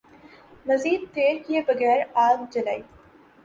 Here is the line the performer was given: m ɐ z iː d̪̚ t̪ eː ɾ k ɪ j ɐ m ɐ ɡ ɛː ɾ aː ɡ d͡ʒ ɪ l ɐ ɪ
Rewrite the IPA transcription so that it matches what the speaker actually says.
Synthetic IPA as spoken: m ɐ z iː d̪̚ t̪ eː ɾ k ɪ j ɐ b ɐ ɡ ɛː ɾ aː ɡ d͡ʒ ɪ l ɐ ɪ

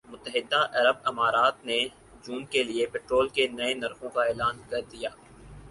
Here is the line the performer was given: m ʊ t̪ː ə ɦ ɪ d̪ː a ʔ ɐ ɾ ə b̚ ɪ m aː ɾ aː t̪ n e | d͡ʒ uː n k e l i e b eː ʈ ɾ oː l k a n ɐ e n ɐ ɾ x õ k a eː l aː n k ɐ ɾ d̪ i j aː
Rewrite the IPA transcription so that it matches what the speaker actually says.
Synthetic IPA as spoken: m ʊ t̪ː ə ɦ ɪ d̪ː a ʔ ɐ ɾ ə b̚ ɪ m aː ɾ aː t̪ n e | d͡ʒ uː n k e l i e p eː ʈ ɾ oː l k e n ɐ e n ɐ ɾ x õ k a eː l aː n k ɐ ɾ d̪ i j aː

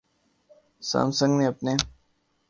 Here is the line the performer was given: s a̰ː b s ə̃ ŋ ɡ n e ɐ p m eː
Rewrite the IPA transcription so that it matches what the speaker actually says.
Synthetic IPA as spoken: s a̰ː m s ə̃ ŋ ɡ n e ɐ p n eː

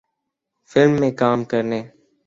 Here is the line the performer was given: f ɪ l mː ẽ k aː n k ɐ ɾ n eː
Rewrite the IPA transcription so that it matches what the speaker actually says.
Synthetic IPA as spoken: f ɪ l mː ẽː k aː m k ə ɾ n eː

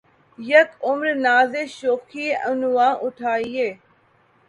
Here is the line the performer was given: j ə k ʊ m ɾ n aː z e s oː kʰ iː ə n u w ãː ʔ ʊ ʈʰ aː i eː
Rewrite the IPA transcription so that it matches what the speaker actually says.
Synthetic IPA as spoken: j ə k ʊ m ɾ n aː z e ʃ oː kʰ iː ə n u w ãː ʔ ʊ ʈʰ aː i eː

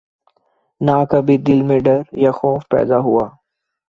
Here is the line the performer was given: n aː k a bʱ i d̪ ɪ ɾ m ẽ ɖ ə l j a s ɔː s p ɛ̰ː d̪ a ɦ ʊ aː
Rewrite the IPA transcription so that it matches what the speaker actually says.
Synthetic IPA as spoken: n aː k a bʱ i d̪ ɪ l m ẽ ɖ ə ɾ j a x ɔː f p ɛ̰ː d̪ a ɦ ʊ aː

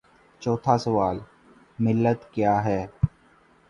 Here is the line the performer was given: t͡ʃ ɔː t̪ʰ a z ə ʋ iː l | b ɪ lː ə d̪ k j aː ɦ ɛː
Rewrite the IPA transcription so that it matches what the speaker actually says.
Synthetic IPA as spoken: t͡ʃ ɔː t̪ʰ a s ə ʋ aː l | m ɪ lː ə t̪ k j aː ɦ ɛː

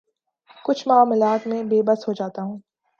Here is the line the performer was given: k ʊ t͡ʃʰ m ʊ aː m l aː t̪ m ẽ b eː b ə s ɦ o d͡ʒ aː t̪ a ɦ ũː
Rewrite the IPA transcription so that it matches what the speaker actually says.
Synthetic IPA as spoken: k ʊ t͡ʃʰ m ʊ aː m l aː t̪ m ẽ b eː b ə s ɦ o d͡ʒ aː t̪ a ɦ ũː

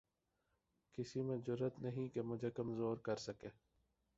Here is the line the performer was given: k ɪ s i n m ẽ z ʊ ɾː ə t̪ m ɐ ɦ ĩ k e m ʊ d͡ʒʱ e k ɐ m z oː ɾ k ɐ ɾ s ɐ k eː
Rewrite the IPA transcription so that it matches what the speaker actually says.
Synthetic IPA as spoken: k ɪ s i m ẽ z ʊ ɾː ə t̪ n ɐ ɦ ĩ k e m ʊ d͡ʒʱ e k ɐ m z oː ɾ k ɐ ɾ s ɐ k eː

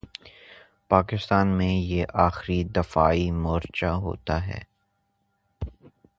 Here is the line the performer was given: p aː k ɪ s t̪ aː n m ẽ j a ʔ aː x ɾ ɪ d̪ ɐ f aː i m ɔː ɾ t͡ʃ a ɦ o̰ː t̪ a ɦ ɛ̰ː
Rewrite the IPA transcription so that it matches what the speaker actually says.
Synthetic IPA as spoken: p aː k ɪ s t̪ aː n m ẽ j e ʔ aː x ɾ i d̪ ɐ f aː i m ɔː ɾ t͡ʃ a ɦ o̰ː t̪ a ɦ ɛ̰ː

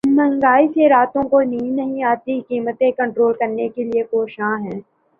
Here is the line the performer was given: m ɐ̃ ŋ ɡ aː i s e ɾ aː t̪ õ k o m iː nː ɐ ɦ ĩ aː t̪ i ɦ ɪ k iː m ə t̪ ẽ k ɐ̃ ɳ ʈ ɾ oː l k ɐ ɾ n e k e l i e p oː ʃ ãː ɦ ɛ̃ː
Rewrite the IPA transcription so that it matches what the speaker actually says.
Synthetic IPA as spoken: m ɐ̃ ŋ ɡ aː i s e ɾ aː t̪ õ k o n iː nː ɐ ɦ ĩ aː t̪ i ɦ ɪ k iː m ə t̪ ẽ k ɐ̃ ɳ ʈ ɾ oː l k ɐ ɾ n e k e l i e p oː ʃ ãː ɦ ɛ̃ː

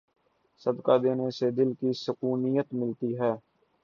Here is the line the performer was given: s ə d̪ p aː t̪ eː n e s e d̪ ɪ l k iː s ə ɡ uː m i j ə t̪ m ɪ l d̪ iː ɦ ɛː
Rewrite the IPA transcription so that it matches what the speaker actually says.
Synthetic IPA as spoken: s ə d̪ k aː d̪ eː n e s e d̪ ɪ l k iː s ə k uː n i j ə t̪ m ɪ l t̪ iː ɦ ɛː

